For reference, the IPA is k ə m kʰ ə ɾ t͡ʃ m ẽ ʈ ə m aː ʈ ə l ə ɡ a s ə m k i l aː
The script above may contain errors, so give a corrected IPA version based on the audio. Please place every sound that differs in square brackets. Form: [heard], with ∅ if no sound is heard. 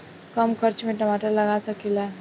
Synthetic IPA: k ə m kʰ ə ɾ t͡ʃ m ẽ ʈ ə m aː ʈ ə l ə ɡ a s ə [∅] k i l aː